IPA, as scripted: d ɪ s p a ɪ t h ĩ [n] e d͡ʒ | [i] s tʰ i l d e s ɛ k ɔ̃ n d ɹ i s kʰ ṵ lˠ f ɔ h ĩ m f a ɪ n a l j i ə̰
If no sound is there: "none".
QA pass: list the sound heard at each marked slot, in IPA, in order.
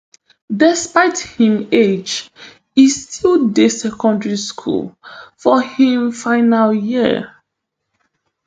m, i

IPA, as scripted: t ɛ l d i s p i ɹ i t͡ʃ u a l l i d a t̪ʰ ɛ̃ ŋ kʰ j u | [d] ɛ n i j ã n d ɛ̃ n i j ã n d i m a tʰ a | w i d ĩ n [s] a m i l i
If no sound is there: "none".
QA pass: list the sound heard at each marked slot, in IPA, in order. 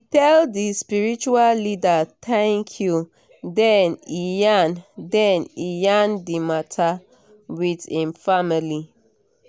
d, f

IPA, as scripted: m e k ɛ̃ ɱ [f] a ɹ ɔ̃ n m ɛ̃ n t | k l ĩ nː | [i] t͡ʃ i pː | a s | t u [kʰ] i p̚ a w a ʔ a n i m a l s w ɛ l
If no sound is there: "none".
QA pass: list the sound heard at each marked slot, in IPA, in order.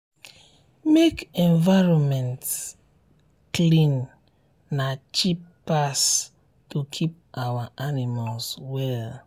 v, a, kʰ

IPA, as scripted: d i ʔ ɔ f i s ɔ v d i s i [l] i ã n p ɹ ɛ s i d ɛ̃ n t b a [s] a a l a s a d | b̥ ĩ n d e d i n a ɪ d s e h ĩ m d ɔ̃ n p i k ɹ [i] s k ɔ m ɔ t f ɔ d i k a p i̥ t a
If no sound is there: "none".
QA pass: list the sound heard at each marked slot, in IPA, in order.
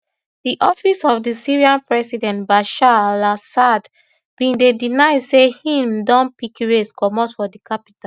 ɹ, ʃ, e

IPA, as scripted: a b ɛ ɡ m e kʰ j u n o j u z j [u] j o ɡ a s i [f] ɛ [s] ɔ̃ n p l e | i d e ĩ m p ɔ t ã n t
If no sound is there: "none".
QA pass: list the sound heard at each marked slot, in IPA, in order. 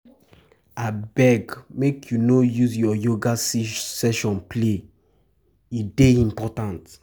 ɔ, s, ʃ

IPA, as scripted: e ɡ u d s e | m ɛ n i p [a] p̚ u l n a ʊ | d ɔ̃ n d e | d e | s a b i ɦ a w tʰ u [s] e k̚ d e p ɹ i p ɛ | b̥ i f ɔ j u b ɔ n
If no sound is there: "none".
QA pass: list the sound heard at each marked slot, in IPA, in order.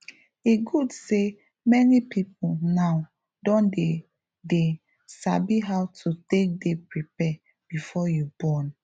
i, t

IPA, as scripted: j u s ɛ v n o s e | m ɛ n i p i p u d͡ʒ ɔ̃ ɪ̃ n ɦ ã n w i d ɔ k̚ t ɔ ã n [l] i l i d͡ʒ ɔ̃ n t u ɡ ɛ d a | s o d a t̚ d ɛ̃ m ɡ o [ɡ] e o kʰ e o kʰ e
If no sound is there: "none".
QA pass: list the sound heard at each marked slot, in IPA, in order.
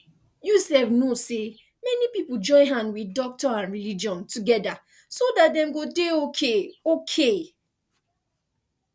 ɹ, d

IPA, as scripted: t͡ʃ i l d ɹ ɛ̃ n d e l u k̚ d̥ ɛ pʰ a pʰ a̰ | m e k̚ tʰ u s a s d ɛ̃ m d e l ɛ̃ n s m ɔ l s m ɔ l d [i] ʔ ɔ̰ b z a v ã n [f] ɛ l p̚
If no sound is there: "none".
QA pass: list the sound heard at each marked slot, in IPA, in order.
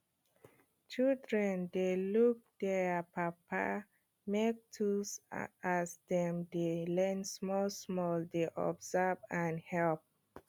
e, h

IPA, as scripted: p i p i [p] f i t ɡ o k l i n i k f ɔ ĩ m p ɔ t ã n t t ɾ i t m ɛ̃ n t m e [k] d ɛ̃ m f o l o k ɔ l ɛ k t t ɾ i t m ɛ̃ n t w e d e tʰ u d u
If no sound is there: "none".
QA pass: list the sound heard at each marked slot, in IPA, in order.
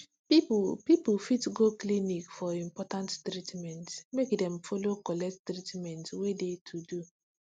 p, k

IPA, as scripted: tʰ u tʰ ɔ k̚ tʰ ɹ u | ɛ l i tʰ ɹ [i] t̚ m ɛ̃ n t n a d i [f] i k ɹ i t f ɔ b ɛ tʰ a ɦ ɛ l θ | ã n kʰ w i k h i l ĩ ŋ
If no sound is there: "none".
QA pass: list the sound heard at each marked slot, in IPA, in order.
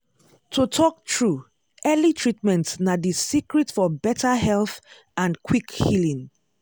i, s

